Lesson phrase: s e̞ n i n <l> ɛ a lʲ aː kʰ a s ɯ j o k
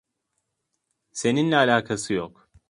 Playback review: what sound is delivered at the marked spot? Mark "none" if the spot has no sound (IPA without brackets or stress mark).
l